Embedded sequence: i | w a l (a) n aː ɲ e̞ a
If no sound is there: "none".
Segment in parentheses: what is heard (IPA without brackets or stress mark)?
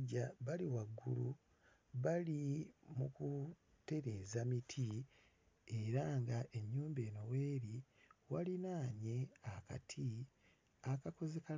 i